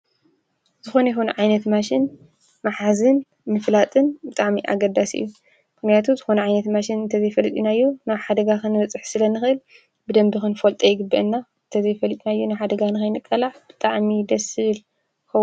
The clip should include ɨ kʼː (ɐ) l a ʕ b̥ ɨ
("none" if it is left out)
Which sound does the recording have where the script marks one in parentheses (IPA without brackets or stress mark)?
ɐ